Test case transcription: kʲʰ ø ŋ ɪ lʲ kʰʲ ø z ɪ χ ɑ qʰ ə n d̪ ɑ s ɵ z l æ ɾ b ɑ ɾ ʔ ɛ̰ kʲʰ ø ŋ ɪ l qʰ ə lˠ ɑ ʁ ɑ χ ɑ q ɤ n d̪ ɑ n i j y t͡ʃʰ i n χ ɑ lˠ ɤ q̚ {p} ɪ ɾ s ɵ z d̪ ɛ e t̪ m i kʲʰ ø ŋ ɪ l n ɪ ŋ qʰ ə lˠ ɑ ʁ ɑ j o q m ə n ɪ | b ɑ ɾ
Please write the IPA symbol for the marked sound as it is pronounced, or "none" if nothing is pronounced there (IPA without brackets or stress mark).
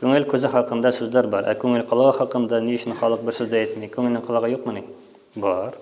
b